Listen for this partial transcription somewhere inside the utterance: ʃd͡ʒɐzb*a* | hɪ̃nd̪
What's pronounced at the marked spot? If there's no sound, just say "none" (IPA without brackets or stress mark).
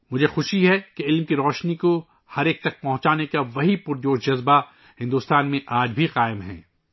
a